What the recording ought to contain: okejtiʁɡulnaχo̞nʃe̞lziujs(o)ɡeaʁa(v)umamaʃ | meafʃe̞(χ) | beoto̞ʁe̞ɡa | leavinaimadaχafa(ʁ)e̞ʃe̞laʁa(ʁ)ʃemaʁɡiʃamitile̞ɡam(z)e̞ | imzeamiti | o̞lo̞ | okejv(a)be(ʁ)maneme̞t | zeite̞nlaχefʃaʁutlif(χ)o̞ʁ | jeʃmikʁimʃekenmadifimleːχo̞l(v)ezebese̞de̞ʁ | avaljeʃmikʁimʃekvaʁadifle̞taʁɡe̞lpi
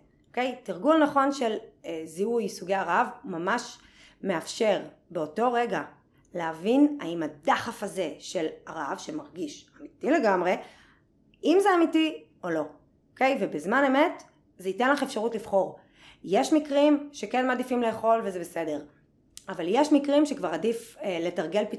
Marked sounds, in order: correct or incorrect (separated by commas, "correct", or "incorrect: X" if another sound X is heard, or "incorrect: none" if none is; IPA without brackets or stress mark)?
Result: incorrect: u, correct, incorrect: ʁ, incorrect: z, incorrect: v, incorrect: ʁ, incorrect: e, incorrect: z, correct, correct